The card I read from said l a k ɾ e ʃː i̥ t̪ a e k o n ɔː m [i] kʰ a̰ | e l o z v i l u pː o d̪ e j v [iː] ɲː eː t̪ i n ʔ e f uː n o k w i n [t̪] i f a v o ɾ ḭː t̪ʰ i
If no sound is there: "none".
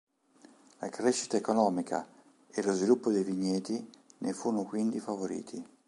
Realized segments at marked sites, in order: i, i, d̪

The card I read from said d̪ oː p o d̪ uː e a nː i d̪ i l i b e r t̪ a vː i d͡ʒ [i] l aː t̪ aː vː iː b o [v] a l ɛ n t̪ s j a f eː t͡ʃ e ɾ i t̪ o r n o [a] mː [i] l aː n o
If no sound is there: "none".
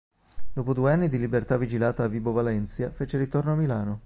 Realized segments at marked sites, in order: i, v, a, i

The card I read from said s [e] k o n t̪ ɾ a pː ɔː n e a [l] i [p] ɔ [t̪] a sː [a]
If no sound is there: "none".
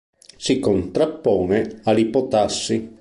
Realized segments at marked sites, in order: i, l, p, t̪, i

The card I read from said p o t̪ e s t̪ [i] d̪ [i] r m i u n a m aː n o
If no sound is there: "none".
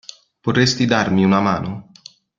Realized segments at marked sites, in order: i, a

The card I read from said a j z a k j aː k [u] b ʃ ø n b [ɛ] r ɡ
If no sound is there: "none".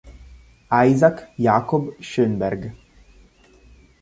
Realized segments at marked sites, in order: o, ɛ

